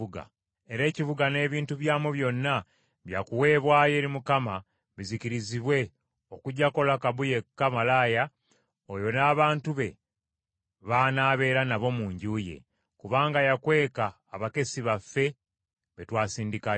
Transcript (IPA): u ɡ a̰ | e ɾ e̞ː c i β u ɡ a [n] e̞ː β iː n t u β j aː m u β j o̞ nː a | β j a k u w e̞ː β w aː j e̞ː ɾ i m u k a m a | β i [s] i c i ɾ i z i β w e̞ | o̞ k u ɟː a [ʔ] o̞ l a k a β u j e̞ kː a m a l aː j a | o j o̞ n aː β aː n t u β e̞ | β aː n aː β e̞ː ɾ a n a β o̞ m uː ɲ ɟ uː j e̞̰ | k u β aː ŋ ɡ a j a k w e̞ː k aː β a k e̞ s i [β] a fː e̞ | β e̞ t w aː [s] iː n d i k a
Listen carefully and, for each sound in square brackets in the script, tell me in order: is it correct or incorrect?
correct, incorrect, incorrect, correct, correct

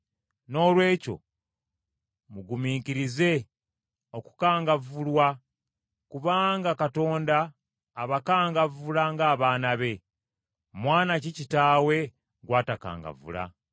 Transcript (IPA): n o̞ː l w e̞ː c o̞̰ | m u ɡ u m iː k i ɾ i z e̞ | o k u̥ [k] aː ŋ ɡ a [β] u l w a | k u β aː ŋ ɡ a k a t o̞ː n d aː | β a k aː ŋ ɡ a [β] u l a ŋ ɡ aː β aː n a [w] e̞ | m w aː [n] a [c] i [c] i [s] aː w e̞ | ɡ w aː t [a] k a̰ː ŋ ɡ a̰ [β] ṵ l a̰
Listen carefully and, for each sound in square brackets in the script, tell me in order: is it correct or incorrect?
correct, incorrect, incorrect, incorrect, correct, correct, correct, incorrect, correct, incorrect

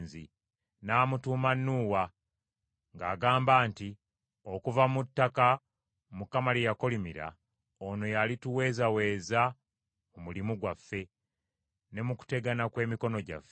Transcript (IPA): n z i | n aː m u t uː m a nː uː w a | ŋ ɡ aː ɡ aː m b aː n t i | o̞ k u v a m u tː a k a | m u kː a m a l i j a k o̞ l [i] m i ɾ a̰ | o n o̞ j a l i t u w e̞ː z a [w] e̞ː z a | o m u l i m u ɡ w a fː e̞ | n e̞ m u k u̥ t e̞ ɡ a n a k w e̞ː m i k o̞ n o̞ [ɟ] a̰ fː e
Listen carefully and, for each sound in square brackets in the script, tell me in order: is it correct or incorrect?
correct, correct, correct

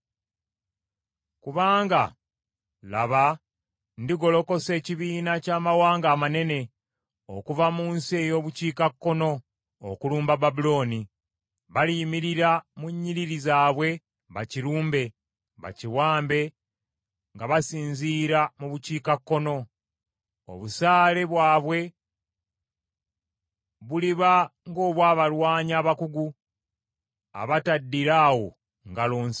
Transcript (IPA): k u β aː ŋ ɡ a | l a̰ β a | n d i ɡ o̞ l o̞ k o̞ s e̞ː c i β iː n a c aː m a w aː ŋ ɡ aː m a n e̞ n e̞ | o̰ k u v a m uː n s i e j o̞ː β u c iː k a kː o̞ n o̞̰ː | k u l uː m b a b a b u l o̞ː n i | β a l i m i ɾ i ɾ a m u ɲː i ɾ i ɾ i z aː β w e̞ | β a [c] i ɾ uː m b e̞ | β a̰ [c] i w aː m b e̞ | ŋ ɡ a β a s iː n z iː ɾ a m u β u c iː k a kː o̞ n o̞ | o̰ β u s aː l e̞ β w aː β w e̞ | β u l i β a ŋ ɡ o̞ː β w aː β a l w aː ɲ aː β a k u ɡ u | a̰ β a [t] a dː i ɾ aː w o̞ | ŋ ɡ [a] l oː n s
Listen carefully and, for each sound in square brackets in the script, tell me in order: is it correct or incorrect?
correct, correct, correct, correct

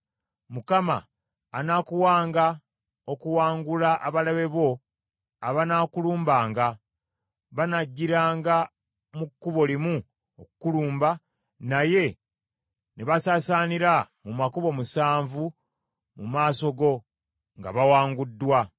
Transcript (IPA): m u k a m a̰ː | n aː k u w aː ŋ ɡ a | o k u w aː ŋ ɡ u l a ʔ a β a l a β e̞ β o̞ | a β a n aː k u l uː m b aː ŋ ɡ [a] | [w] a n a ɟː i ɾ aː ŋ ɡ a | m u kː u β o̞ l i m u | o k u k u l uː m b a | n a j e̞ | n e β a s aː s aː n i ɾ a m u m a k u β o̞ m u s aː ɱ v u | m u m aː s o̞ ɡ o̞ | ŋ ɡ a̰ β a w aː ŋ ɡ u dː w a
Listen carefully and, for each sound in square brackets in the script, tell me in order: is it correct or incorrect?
correct, incorrect

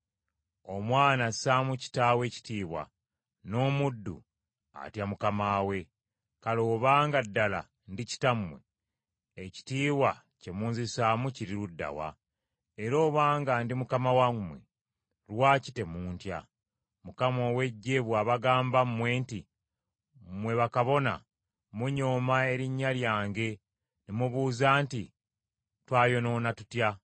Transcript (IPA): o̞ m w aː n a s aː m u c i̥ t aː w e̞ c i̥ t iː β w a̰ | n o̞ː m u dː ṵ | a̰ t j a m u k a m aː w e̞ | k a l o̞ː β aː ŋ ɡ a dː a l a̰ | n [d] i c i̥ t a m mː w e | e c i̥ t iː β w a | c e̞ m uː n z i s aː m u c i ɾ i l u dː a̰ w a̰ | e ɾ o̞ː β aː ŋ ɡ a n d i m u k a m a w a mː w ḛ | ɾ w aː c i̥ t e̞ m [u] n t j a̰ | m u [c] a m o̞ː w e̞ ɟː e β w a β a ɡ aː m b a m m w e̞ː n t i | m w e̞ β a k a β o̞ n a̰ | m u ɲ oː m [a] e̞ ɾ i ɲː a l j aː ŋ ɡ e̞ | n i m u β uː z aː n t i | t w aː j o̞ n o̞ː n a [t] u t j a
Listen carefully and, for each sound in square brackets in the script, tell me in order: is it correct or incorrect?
correct, incorrect, incorrect, correct, correct

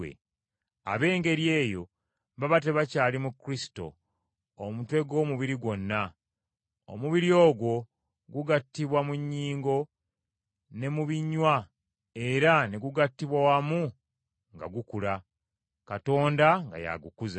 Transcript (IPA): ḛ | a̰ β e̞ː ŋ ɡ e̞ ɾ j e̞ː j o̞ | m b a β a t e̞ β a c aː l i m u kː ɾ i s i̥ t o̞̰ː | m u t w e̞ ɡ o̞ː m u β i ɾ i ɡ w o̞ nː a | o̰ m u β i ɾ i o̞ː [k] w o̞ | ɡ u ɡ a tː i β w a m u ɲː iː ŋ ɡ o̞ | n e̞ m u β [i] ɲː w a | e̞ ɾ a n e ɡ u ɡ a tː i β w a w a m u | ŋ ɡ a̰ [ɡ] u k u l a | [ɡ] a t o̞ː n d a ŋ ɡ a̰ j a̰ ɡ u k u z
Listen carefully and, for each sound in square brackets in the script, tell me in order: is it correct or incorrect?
incorrect, correct, correct, incorrect

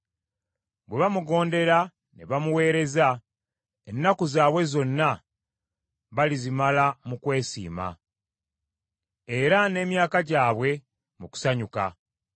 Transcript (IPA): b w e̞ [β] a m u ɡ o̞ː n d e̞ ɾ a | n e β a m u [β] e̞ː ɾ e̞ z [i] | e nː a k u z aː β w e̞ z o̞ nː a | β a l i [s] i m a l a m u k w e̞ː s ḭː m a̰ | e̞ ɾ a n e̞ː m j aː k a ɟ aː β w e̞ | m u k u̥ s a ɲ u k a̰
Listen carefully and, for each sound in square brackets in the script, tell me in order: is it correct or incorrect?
correct, incorrect, incorrect, incorrect

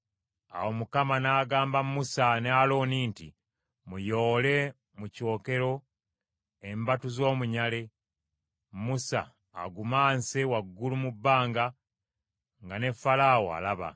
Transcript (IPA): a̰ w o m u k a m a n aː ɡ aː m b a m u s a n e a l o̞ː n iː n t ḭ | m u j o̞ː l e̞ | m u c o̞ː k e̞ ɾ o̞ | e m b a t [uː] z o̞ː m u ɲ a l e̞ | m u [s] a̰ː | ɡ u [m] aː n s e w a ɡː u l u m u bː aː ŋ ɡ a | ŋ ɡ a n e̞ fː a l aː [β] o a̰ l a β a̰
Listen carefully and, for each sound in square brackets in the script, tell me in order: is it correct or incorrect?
incorrect, correct, correct, incorrect

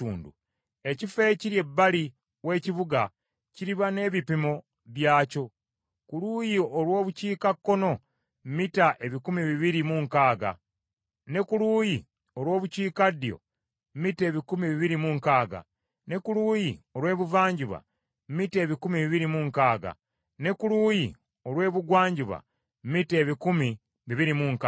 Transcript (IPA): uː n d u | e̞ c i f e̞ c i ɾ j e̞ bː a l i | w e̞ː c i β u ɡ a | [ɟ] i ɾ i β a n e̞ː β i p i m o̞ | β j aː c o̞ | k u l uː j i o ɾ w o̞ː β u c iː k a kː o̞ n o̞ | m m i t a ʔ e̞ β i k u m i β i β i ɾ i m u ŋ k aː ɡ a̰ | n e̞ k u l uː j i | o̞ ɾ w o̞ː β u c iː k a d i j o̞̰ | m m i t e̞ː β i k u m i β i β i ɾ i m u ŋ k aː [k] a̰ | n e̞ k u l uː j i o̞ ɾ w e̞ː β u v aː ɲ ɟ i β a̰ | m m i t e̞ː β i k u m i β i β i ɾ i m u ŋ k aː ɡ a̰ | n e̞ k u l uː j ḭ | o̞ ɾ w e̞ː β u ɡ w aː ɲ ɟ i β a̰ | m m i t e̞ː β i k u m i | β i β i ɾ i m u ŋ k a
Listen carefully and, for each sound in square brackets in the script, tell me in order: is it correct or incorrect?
incorrect, incorrect

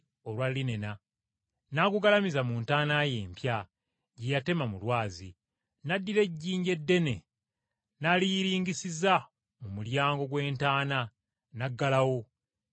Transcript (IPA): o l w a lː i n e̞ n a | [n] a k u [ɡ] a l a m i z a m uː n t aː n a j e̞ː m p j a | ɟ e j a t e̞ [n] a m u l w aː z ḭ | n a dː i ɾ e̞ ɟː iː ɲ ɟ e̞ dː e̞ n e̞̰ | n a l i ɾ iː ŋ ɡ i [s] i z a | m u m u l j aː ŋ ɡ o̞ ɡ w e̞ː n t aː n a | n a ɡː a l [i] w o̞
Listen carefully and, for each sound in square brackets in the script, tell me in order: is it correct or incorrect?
correct, correct, incorrect, correct, incorrect

